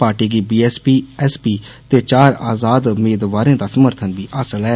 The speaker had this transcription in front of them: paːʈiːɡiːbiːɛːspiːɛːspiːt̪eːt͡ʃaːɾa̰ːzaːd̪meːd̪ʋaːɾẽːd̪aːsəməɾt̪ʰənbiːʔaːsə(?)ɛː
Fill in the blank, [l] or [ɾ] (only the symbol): l